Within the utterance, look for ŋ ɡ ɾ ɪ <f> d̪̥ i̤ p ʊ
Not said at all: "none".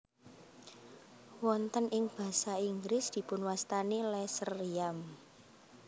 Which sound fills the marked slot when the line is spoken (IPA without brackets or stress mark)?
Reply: s